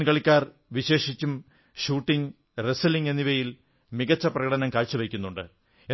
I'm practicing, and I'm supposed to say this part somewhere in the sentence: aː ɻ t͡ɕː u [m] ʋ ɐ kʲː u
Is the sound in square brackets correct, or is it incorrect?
incorrect